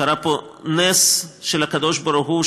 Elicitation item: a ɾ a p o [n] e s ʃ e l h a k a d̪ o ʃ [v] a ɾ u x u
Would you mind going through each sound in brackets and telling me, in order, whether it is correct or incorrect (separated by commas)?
correct, incorrect